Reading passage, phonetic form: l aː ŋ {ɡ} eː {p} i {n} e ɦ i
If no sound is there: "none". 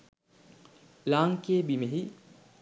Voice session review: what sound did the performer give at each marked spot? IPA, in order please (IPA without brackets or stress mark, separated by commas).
k, b, m